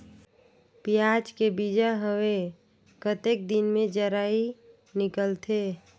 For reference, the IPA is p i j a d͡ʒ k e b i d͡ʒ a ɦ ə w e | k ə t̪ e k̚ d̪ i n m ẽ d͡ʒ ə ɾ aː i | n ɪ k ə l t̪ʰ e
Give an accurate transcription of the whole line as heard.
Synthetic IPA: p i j a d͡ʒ k e b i d͡ʒ a ɦ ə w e | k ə t̪ e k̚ d̪ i n m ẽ d͡ʒ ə ɾ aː i | n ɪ k ə l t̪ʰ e